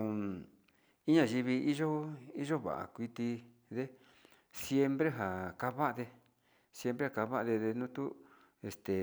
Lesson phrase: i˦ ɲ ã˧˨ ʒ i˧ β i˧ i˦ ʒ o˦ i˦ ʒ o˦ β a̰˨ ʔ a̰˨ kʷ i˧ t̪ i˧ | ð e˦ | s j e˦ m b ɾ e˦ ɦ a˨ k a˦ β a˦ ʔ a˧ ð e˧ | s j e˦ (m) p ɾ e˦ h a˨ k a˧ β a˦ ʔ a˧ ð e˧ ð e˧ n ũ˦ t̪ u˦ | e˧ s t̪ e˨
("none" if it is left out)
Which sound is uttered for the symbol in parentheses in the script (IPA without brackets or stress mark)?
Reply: m